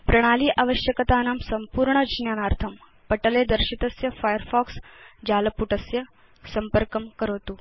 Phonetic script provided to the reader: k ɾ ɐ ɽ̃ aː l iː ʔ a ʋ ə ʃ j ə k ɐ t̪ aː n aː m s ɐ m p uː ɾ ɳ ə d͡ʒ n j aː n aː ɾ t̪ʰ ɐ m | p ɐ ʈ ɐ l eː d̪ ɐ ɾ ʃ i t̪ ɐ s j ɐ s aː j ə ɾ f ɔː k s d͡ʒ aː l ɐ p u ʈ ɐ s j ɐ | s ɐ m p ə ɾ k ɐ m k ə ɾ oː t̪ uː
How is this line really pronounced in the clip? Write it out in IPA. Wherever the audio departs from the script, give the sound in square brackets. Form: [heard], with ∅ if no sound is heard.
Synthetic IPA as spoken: [p] ɾ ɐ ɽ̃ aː l iː ʔ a ʋ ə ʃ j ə k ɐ t̪ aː n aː m s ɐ m p uː ɾ ɳ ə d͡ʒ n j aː n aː ɾ t̪ʰ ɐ m | p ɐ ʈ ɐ l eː d̪ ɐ ɾ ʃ i t̪ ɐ s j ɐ [f] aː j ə ɾ f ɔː k s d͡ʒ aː l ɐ p u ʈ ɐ s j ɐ | s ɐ m p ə ɾ k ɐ m k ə ɾ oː t̪ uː